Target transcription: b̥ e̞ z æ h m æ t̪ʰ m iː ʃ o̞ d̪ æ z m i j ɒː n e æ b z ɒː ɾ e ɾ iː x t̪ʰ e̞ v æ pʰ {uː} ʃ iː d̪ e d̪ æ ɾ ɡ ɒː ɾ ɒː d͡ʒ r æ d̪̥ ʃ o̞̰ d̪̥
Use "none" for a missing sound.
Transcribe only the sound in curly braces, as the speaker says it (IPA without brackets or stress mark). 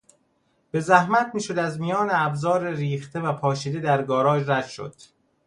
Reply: ɒː